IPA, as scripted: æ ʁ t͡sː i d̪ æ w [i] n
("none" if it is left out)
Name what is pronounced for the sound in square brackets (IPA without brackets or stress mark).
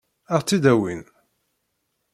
i